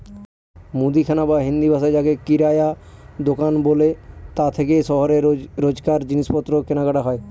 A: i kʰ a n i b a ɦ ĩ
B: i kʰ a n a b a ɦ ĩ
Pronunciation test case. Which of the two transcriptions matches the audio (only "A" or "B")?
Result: B